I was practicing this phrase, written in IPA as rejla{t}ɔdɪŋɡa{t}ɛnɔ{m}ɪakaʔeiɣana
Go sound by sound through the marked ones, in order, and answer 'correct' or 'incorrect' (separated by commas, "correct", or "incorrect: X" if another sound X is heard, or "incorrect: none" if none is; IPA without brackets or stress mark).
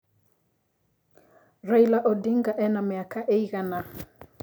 incorrect: ʔ, incorrect: ʔ, correct